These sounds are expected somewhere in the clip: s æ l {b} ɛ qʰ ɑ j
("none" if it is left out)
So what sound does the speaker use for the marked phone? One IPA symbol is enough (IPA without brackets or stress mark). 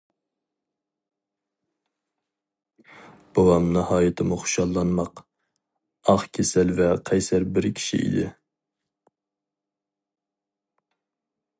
v